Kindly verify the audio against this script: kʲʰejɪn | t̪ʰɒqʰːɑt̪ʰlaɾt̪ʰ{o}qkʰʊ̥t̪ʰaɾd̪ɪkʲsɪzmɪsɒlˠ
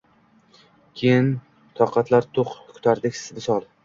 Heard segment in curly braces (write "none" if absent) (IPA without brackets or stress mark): o